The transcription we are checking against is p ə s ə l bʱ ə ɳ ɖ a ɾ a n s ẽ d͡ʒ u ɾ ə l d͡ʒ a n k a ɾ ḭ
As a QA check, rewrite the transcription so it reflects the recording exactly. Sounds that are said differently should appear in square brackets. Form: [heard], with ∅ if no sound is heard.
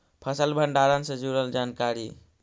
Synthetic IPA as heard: [pʰ] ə s ə l bʱ ə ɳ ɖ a ɾ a n s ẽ d͡ʒ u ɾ ə l d͡ʒ a n k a ɾ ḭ